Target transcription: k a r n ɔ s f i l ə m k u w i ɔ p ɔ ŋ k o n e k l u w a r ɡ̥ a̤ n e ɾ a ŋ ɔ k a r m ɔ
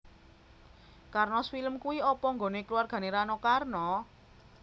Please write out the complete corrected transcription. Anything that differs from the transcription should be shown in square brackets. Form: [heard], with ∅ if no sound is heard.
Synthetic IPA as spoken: k a r n ɔ s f i l ə m k u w i ɔ p ɔ ŋ [ɡ] o n e k l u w a r ɡ̥ a̤ n e ɾ a [n] ɔ k a r [n] ɔ